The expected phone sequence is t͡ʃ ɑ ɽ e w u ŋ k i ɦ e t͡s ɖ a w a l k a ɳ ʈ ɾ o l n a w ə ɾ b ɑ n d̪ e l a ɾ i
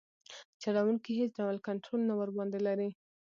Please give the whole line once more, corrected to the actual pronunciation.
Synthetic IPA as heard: t͡ʃ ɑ ɽ a w u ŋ k i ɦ e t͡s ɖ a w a l k a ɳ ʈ ɾ o l n a w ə ɾ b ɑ n d̪ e l a ɾ i